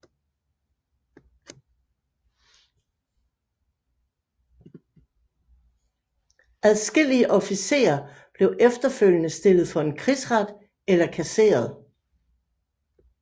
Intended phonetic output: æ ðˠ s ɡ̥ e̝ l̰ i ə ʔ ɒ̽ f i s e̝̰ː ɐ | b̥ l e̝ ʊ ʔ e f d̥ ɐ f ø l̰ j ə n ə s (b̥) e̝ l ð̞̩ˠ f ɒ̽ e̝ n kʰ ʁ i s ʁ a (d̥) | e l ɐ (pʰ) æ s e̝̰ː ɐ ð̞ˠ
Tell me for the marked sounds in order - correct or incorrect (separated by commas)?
incorrect, correct, incorrect